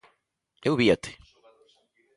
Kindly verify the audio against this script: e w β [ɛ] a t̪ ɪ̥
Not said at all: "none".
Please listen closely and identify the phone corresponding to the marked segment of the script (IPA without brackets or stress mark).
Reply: i